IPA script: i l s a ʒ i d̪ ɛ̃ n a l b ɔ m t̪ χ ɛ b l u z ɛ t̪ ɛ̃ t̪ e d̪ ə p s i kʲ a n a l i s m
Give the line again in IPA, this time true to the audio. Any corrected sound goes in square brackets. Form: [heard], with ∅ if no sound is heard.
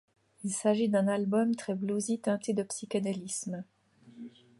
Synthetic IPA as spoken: i l s a ʒ i d̪ ɛ̃ n a l b ɔ m t̪ χ ɛ b l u z [i] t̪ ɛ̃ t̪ e d̪ ə p s i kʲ a n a l i s m